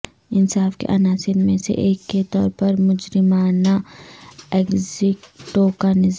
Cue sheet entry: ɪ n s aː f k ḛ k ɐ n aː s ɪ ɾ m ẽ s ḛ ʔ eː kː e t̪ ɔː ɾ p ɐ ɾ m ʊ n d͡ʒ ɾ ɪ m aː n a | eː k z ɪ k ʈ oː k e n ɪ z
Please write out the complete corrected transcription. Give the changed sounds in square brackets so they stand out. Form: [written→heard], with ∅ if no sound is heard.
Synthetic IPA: ɪ n s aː f k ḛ [k→ʔ] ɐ n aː s ɪ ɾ m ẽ s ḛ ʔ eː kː e t̪ ɔː ɾ p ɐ ɾ m ʊ [n→∅] d͡ʒ ɾ ɪ m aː n a | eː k z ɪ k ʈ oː k [e→a] n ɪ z